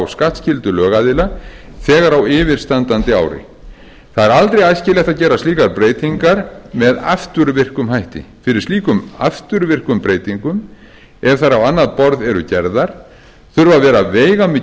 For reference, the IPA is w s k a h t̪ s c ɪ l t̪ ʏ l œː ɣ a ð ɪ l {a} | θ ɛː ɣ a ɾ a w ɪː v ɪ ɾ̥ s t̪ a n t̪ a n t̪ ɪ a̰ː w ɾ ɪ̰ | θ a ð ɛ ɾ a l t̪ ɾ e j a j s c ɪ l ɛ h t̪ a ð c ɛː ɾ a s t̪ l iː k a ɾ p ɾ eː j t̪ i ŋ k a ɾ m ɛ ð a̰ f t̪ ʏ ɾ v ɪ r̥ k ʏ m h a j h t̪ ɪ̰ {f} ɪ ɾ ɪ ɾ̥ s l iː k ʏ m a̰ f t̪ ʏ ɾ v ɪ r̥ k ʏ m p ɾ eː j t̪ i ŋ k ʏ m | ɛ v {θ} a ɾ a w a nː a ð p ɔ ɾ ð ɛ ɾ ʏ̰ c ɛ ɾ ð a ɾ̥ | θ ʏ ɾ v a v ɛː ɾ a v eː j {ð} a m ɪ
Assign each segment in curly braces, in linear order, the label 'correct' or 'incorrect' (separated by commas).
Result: correct, correct, correct, incorrect